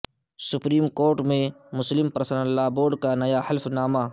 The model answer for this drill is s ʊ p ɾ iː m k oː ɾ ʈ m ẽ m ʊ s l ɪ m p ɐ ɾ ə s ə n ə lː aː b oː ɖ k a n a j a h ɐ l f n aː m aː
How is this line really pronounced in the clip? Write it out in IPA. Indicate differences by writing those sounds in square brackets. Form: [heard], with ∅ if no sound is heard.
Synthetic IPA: s ʊ p ɾ iː m k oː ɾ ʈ m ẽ m ʊ s l ɪ m p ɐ ɾ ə s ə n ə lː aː b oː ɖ k a n [ɐ] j a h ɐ l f n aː m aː